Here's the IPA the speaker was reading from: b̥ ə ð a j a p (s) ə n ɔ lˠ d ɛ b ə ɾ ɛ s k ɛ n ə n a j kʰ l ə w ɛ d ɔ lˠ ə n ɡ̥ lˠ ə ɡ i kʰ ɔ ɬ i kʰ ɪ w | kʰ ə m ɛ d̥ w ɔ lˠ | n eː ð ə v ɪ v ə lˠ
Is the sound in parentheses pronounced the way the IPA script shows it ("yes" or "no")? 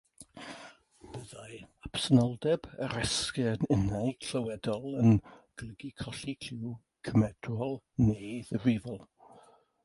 yes